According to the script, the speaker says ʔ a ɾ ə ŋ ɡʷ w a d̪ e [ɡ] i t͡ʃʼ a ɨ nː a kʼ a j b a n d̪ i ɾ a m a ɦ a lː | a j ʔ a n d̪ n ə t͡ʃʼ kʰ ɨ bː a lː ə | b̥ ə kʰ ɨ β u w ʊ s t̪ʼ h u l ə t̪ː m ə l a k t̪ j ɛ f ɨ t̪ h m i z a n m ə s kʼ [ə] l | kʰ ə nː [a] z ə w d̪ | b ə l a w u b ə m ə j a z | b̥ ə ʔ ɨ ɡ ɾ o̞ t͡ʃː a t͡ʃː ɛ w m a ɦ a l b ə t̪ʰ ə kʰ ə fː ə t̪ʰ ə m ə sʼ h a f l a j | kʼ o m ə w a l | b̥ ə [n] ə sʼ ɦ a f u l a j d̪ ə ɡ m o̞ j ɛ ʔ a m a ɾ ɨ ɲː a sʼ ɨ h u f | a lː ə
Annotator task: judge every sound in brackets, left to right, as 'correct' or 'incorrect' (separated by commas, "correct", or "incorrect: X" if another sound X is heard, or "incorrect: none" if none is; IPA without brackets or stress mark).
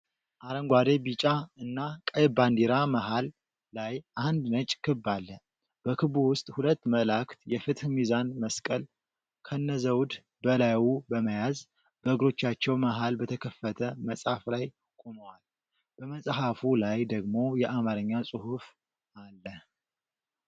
incorrect: b, correct, incorrect: ə, incorrect: m